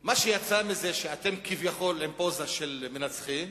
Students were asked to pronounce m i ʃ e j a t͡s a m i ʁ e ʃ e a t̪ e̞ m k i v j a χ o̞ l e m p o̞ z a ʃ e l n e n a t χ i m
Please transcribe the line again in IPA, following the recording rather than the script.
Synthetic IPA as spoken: m a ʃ e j a t͡s a m i z e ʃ e a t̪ e̞ m k i v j a χ o̞ l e m p o̞ z a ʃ e l m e n a t͡s χ i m

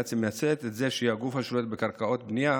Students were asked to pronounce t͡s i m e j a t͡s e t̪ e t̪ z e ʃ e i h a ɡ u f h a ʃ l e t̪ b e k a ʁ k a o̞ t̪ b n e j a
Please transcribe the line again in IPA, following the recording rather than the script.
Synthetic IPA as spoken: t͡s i m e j a t͡s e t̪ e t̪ z e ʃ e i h a ɡ u f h a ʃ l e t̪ b e k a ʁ k a o̞ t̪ b n i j a

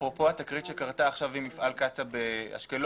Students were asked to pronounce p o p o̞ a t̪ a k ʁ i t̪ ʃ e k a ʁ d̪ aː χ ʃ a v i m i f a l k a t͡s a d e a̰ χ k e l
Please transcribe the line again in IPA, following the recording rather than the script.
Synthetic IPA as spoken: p o p o̞ a t̪ a k ʁ i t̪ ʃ e k a ʁ t̪ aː χ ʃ a v i m i f a l k a t͡s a b e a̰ ʃ k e l

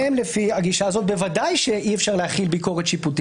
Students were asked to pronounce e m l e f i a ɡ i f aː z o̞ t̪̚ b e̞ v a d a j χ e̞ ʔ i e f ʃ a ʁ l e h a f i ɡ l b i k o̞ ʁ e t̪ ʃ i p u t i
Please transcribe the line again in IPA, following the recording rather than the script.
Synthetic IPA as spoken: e m l e f i a ɡ i ʃ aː z o̞ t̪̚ b e̞ v a d a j ʃ e̞ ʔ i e f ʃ a ʁ l e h a χ i l b i k o̞ ʁ e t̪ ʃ i p u t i

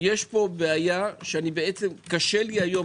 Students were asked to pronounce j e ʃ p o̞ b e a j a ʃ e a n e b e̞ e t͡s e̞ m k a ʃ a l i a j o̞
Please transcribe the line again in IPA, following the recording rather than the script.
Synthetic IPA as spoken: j e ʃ p o̞ b e a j a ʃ e a n i b e̞ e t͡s e̞ m k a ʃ e l i a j o̞

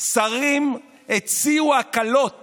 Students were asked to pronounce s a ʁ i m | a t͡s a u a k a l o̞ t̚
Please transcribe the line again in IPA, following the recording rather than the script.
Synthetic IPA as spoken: s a ʁ i m | e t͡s i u a k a l o̞ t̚

